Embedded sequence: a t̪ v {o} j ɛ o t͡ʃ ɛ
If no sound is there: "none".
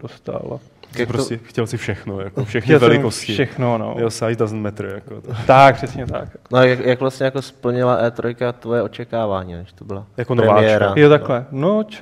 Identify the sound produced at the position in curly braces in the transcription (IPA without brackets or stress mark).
o